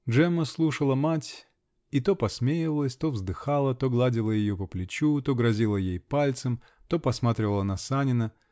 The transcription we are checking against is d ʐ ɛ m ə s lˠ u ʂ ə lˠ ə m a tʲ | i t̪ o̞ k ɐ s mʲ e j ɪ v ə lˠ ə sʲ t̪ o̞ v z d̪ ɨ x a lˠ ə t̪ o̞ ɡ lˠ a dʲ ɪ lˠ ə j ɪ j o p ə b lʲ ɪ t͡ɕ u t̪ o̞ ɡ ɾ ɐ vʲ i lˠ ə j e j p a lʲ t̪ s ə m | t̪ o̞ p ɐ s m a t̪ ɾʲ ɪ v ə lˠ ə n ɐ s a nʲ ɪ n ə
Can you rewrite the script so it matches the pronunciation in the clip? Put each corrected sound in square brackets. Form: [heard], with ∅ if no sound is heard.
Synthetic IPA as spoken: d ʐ ɛ m ə s lˠ u ʂ ə lˠ ə m a tʲ | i t̪ o̞ [p] ɐ s mʲ e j ɪ v ə lˠ ə sʲ t̪ o̞ v z d̪ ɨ x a lˠ ə t̪ o̞ ɡ lˠ a dʲ ɪ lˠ ə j ɪ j o p ə [p] lʲ ɪ t͡ɕ u t̪ o̞ ɡ ɾ ɐ [zʲ] i lˠ ə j e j p a lʲ t̪ s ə m | t̪ o̞ p ɐ s m a t̪ ɾʲ ɪ v ə lˠ ə n ɐ s a nʲ ɪ n ə